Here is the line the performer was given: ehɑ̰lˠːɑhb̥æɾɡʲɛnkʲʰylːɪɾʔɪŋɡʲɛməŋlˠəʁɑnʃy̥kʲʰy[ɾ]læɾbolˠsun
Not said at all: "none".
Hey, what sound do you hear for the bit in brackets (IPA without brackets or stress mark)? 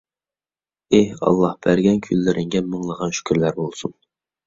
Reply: ɾ